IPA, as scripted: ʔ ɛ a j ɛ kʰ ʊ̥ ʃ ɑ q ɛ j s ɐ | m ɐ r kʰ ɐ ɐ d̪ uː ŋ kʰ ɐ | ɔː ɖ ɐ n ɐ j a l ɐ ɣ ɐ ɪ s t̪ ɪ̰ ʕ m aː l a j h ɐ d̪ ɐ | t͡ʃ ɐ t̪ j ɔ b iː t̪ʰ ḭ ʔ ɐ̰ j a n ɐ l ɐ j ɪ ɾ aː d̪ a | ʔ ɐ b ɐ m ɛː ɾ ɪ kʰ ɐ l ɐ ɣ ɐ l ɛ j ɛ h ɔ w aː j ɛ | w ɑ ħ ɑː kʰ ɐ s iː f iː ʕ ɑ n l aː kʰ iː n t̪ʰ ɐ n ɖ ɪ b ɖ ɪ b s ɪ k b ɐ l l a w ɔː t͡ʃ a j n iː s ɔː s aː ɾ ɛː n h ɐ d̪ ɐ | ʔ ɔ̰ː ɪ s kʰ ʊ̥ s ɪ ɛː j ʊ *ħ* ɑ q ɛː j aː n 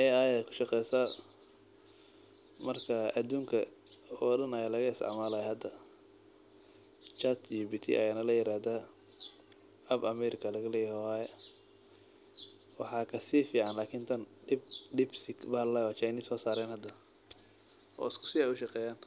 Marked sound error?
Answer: yes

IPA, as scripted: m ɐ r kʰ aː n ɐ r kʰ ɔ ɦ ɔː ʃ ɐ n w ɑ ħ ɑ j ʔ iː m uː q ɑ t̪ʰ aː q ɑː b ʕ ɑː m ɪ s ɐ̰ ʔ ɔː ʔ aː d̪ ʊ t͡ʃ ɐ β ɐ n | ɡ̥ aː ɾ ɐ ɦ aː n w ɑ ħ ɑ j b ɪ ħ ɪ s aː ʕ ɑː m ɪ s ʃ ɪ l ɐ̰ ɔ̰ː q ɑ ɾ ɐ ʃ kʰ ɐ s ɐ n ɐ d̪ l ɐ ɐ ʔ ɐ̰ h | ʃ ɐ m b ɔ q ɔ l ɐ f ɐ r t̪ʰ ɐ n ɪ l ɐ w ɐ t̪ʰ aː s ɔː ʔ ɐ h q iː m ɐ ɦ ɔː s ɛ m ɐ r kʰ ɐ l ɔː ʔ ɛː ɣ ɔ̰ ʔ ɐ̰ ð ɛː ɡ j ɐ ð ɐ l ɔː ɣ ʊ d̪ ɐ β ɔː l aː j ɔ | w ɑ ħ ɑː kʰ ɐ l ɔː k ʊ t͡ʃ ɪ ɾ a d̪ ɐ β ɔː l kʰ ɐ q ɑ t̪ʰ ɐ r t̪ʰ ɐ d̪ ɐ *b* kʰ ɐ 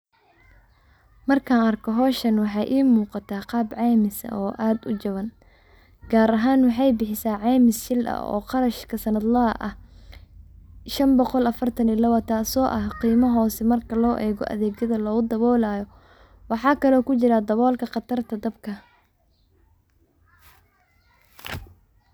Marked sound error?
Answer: no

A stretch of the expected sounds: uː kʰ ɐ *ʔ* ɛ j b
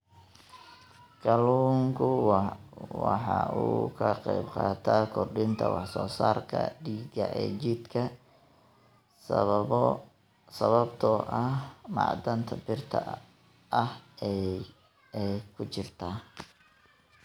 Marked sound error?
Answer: yes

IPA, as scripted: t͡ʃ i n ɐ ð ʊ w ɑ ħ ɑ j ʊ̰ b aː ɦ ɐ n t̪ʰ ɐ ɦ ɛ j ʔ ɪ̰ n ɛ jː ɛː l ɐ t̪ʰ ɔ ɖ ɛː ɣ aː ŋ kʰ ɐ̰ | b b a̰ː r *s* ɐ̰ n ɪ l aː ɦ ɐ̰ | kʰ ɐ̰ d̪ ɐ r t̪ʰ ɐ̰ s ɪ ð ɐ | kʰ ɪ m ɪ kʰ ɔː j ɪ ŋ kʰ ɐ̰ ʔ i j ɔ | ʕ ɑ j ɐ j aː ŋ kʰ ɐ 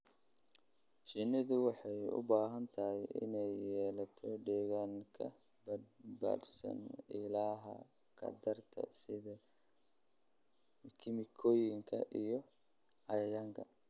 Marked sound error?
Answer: no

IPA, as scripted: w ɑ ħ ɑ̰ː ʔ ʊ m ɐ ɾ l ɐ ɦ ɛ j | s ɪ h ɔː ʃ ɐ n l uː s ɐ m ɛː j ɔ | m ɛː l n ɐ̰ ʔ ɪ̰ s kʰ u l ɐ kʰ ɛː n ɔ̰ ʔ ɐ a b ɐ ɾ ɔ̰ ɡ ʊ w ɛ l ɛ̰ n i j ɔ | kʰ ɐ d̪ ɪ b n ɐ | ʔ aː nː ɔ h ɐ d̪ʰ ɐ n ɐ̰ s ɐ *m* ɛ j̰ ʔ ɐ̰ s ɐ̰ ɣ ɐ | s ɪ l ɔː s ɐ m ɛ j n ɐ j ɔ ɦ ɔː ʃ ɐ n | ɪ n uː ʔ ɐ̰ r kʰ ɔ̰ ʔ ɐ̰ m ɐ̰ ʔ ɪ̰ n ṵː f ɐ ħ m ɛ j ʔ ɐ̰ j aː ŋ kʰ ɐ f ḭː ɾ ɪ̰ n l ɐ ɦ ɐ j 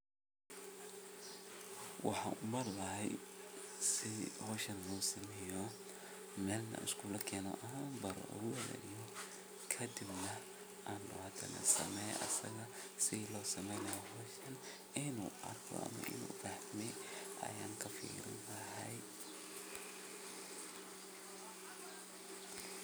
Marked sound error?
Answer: no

